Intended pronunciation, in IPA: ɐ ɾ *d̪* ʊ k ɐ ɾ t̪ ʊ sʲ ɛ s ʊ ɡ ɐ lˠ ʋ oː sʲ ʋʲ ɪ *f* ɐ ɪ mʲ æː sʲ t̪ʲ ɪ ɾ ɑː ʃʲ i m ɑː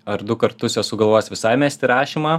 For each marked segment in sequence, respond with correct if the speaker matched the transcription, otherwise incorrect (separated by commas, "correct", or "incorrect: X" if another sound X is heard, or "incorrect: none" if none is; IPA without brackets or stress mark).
correct, incorrect: s